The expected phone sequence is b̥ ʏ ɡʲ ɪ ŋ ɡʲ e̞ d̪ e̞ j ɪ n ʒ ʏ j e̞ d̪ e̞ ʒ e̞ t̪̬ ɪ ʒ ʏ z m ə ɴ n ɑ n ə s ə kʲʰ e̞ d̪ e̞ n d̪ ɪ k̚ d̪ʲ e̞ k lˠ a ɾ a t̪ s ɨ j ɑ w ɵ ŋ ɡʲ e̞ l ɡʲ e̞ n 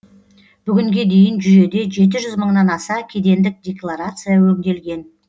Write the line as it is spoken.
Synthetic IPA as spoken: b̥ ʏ ɡʲ ɪ ŋ ɡʲ e̞ d̪ e̞ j ɪ n ʒ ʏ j e̞ d̪ e̞ ʒ e̞ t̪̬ ɪ ʒ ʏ z m ə ɴ n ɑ n ɑ s ɑ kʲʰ e̞ d̪ e̞ n d̪ ɪ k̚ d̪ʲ e̞ k lˠ a ɾ a t̪ s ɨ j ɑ w ɵ ŋ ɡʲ e̞ l ɡʲ e̞ n